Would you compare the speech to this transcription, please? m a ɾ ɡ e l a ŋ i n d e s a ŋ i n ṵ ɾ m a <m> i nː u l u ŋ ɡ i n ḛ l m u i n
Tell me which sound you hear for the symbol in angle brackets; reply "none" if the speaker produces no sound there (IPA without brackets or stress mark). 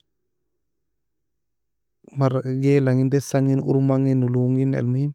ŋ